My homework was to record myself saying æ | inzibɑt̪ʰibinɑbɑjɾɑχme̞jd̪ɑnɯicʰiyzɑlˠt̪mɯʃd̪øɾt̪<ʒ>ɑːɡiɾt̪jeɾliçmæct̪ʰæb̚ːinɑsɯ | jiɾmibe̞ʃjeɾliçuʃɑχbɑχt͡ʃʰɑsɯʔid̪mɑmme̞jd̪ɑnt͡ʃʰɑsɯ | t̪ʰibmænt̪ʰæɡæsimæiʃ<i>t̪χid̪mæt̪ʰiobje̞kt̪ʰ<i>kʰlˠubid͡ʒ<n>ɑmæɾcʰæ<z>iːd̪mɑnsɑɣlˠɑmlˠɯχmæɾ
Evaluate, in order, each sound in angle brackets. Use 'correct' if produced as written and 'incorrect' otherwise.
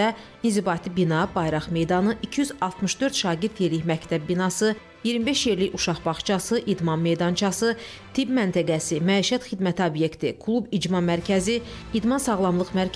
incorrect: ʃ, incorrect: æ, correct, incorrect: m, correct

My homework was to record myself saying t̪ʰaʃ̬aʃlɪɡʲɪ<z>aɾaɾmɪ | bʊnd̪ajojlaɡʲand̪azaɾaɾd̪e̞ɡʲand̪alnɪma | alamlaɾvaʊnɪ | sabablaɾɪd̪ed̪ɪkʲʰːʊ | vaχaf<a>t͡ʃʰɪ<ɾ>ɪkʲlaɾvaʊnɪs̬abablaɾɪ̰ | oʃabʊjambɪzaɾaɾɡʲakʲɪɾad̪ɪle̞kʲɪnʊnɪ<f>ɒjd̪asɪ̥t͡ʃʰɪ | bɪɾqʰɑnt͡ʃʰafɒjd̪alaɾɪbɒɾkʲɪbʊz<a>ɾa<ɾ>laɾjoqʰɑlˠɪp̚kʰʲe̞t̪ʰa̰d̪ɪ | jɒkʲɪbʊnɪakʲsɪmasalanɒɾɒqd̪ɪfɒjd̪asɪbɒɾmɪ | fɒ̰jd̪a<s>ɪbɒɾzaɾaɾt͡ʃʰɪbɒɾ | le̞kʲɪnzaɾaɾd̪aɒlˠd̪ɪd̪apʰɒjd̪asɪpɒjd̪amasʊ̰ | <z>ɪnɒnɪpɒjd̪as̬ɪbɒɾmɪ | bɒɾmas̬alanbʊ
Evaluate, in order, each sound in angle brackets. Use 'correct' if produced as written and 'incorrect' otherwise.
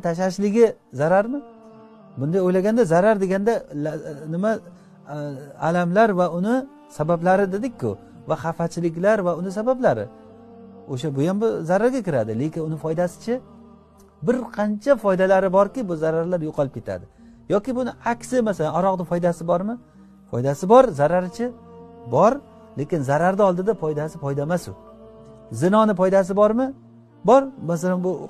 correct, correct, incorrect: l, correct, correct, correct, correct, correct

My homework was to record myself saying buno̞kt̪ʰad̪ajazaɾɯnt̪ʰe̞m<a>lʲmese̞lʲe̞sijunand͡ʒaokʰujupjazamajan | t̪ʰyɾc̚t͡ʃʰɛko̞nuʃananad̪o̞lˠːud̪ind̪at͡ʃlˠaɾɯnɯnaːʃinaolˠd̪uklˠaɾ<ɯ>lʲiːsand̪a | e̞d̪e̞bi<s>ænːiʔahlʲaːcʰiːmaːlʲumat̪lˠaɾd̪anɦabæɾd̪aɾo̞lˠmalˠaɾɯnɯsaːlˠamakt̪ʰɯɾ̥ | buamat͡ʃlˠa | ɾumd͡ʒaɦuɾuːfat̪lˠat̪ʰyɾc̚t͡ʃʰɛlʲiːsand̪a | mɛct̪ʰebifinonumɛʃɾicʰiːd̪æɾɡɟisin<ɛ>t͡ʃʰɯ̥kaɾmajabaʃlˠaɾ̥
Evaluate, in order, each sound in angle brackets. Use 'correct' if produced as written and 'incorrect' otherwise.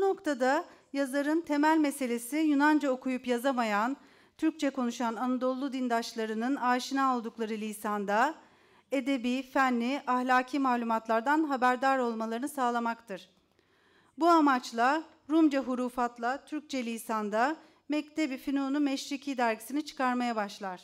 incorrect: æ, correct, incorrect: f, incorrect: i

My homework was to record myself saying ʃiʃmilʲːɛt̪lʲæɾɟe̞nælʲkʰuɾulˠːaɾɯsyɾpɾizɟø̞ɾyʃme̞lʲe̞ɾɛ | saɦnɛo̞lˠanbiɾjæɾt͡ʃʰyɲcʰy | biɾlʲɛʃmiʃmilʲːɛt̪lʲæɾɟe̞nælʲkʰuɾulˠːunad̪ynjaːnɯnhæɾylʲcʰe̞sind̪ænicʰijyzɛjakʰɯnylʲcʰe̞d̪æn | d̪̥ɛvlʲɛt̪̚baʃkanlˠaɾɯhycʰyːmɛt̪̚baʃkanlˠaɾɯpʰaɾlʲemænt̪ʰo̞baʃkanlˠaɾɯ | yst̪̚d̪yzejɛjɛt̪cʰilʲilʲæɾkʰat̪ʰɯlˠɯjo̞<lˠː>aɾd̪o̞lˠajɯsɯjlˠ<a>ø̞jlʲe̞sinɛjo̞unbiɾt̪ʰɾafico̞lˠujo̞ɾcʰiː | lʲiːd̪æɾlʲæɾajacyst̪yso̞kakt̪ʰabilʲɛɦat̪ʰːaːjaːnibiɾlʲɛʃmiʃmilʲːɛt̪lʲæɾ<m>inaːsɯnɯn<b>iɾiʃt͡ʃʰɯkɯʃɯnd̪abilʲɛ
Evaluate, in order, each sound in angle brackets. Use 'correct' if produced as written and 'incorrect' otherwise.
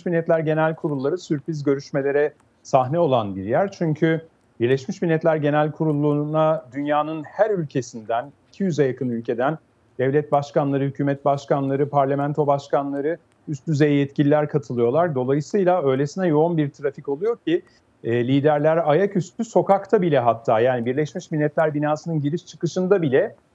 incorrect: lˠ, correct, incorrect: b, incorrect: ɟ

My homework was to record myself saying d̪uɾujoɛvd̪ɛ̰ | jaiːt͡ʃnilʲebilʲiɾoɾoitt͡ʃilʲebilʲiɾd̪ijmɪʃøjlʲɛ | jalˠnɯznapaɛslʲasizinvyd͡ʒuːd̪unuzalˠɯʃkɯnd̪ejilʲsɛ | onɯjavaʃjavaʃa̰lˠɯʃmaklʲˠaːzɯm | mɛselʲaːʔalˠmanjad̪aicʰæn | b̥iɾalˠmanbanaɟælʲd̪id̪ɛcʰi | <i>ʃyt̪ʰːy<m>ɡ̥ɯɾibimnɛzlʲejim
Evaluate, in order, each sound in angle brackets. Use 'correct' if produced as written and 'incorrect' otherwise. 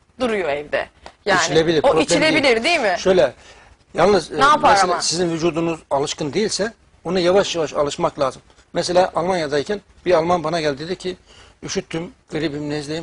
incorrect: y, correct

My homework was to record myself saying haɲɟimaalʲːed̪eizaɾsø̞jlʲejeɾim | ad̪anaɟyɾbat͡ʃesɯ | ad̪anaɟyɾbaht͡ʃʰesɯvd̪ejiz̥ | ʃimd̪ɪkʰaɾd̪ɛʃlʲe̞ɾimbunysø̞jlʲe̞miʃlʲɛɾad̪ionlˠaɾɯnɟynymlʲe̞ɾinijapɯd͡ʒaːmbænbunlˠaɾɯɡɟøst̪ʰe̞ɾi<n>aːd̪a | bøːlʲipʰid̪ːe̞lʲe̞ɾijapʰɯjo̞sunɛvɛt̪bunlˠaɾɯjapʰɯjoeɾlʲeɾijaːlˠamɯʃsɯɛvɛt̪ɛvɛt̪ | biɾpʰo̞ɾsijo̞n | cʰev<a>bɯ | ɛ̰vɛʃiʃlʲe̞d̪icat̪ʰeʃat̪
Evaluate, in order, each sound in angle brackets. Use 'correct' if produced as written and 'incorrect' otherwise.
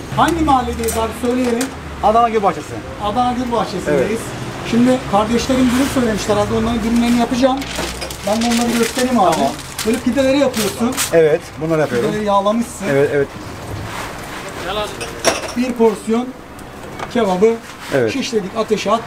incorrect: m, correct

